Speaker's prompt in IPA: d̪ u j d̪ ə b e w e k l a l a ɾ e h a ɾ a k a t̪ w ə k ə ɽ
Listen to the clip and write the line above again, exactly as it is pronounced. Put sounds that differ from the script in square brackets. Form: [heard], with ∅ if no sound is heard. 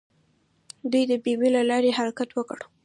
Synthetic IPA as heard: d̪ u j d̪ ə b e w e [∅] l a l [ɑ] ɾ e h a ɾ a k a t̪ w ə k ə ɽ